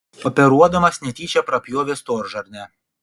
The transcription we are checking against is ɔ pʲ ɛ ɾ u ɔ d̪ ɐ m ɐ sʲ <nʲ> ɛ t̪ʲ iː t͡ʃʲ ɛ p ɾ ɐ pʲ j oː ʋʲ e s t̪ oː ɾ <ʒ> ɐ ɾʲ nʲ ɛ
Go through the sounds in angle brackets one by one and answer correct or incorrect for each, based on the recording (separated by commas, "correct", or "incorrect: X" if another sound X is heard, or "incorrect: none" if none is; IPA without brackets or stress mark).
correct, correct